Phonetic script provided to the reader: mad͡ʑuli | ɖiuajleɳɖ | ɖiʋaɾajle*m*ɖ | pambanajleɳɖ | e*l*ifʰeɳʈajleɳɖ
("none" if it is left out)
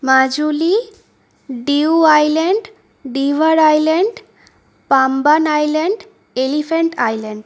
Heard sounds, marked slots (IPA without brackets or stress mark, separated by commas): ɳ, l